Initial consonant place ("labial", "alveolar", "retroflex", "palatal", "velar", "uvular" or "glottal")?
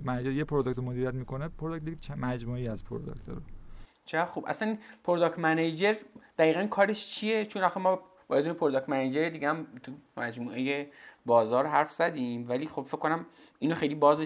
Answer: labial